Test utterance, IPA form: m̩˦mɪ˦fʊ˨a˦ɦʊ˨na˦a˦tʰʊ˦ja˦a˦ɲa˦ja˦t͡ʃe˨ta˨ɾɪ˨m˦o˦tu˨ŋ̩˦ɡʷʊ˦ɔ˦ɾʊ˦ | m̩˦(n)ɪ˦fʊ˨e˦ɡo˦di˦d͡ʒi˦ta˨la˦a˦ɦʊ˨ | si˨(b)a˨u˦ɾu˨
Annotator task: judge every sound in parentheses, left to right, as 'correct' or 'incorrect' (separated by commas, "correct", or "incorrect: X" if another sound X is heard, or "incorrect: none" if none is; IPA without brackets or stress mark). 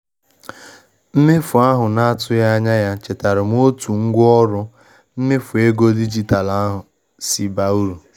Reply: incorrect: m, correct